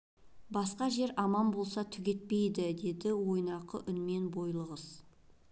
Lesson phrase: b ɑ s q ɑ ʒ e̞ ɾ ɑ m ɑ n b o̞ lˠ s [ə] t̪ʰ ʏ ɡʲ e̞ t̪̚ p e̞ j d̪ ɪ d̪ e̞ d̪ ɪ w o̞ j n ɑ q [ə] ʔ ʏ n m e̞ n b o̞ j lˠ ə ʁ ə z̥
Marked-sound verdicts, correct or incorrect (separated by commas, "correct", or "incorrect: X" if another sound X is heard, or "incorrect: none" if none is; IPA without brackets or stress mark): incorrect: ɑ, correct